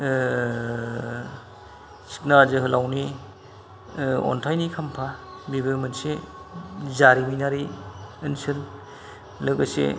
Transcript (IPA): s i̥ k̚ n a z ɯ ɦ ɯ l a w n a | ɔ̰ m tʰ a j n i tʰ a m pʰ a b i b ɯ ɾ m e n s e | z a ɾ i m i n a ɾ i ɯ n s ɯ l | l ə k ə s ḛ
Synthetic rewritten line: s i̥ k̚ n a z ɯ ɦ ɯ l a w n i | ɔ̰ n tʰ a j n i kʰ a m pʰ a b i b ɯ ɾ m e n s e | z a ɾ i m i n a ɾ i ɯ n s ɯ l | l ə ɡ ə s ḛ

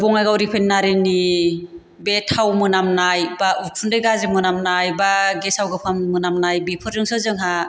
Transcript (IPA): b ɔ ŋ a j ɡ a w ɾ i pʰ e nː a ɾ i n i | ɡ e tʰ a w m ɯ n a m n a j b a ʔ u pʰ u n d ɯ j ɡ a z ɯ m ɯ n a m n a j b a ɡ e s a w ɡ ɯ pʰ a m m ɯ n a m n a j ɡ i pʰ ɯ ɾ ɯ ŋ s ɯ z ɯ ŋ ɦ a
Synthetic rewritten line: b ɔ ŋ a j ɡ a w ɾ i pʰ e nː a ɾ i n i | b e tʰ a w m ɯ n a m n a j b a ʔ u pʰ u n d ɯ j ɡ a z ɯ m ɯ n a m n a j b a ɡ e s a w ɡ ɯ pʰ a m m ɯ n a m n a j b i pʰ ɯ ɾ ɯ ŋ s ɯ z ɯ ŋ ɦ a

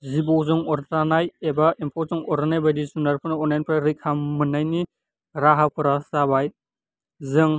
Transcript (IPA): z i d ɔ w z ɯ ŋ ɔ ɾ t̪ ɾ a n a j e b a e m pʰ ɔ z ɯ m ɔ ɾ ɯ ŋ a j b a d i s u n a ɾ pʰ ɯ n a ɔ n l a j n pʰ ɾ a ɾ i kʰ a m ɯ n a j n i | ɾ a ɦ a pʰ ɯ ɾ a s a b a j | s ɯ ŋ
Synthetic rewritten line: z i b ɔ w z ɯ ŋ ɔ ɾ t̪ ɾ a n a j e b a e m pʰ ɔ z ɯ ŋ ɔ ɾ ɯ n a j b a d i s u n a ɾ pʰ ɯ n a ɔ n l a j n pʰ ɾ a ɾ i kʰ a m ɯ n a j n i | ɾ a ɦ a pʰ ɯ ɾ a s a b a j | z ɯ ŋ

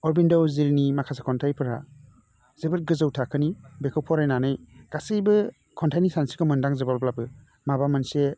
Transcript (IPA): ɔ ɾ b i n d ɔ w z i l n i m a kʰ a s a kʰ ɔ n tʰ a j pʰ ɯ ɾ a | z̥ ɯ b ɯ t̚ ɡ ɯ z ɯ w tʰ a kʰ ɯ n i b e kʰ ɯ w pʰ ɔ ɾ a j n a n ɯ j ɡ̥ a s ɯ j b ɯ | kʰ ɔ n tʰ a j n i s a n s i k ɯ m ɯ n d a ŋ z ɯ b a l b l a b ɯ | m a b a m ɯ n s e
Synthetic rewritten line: ɔ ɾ b i n d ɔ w z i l n i m a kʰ a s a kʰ ɔ n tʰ a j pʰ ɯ ɾ a | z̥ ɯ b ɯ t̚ ɡ ɯ z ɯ w tʰ a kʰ ɯ n i b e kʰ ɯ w pʰ ɔ ɾ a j n a n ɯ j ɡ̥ a s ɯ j b ɯ | kʰ ɔ n tʰ a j n i s a n s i k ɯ m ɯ n d a ŋ z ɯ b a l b l a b ɯ | m a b a m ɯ n s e

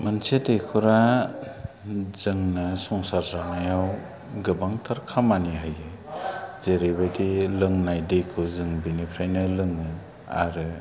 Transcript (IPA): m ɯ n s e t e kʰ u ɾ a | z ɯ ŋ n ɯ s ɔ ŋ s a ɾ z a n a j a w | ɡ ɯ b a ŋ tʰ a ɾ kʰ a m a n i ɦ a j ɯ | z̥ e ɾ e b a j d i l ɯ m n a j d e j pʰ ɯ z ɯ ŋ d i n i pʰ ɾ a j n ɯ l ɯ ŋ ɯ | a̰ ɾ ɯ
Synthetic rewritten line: m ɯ n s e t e kʰ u ɾ a | z ɯ ŋ n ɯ s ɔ ŋ s a ɾ z a n a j a w | ɡ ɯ b a ŋ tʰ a ɾ kʰ a m a n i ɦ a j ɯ | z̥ e ɾ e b a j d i l ɯ ŋ n a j d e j kʰ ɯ z ɯ ŋ b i n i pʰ ɾ a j n ɯ l ɯ ŋ ɯ | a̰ ɾ ɯ

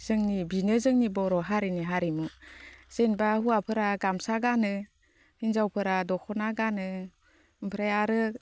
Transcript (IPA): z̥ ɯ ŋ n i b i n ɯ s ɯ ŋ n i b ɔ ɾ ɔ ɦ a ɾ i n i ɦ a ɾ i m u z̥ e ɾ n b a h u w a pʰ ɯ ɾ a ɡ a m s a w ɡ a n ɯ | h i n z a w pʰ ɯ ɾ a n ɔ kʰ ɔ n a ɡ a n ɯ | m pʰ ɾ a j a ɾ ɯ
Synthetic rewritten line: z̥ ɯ ŋ n i b i n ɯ z ɯ ŋ n i b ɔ ɾ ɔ ɦ a ɾ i n i ɦ a ɾ i m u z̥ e n b a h u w a pʰ ɯ ɾ a ɡ a m s a ɡ a n ɯ | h i n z a w pʰ ɯ ɾ a d ɔ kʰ ɔ n a ɡ a n ɯ | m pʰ ɾ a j a ɾ ɯ

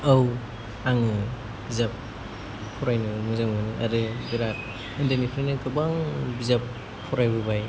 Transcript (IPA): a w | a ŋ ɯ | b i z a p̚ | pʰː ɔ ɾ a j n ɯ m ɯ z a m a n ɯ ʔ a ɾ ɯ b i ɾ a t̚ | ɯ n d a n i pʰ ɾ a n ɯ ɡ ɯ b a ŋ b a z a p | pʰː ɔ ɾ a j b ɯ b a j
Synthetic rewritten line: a w | a ŋ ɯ | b i z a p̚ | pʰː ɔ ɾ a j n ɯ m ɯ z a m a n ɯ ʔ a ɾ ɯ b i ɾ a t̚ | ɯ n d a n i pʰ ɾ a n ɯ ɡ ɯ b a ŋ b i z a p | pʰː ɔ ɾ a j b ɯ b a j

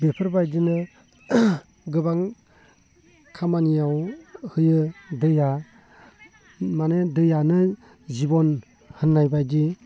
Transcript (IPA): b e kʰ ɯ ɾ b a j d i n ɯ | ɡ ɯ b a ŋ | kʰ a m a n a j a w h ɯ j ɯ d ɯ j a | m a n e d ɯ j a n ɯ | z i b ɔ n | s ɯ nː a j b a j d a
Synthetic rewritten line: b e pʰ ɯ ɾ b a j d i n ɯ | ɡ ɯ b a ŋ | kʰ a m a n i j a w h ɯ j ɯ d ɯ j a | m a n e d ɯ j a n ɯ | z i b ɔ n | h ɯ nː a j b a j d i

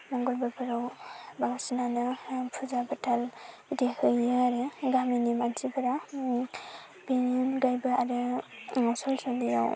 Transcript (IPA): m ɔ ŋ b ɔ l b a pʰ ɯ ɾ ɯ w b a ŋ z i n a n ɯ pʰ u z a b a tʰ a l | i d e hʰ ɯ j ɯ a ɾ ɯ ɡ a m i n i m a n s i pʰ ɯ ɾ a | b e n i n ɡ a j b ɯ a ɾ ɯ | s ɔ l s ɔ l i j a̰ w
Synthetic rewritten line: m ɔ ŋ ɡ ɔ l b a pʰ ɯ ɾ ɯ w b a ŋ s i n a n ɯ pʰ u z a b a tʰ a l | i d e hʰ ɯ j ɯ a ɾ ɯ ɡ a m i n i m a n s i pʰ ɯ ɾ a | b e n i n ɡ a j b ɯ a ɾ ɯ | s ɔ l s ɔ l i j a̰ w

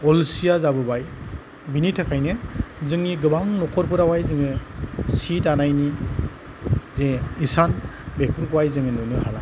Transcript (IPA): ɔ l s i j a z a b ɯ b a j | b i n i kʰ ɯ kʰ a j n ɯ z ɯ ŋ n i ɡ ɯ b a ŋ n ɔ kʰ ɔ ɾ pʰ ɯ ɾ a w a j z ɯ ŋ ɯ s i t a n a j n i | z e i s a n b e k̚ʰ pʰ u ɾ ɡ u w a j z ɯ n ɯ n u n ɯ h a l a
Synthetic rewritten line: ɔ l s i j a z a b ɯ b a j | b i n i tʰ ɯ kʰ a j n ɯ z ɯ ŋ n i ɡ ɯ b a ŋ n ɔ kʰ ɔ ɾ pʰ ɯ ɾ a w a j z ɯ ŋ ɯ s i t a n a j n i | z e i s a n b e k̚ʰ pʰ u ɾ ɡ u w a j z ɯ ŋ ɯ n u n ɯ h a l a

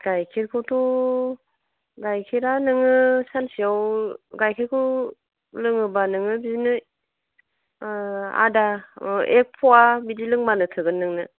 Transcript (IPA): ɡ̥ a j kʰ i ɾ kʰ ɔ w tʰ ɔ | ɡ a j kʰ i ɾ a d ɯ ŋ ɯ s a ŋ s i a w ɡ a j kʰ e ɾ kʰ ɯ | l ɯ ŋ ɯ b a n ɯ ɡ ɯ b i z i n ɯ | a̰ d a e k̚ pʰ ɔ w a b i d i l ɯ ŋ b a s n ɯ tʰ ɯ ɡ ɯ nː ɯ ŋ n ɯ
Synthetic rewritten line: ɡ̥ a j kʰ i ɾ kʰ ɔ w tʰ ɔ | ɡ a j kʰ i ɾ a n ɯ ŋ ɯ s a n s i a w ɡ a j kʰ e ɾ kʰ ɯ | l ɯ ŋ ɯ b a n ɯ ŋ ɯ b i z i n ɯ | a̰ d a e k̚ pʰ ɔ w a b i d i l ɯ ŋ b a n ɯ tʰ ɯ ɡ ɯ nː ɯ ŋ n ɯ

